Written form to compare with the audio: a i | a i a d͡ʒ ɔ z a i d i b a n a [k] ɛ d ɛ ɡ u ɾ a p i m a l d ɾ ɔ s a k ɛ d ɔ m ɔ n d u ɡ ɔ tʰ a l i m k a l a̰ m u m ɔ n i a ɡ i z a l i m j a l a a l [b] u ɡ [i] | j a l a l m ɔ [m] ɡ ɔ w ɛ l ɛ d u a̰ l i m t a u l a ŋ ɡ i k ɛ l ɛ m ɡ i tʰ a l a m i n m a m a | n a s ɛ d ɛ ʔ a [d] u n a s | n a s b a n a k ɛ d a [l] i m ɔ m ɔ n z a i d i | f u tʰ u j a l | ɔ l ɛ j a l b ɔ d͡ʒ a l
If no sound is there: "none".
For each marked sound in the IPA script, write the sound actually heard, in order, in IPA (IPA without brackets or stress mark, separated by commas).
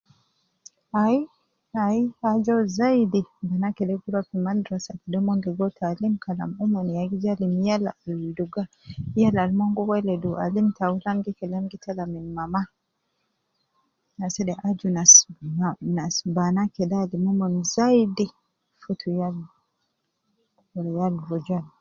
k, d, a, ŋ, d͡ʒ, l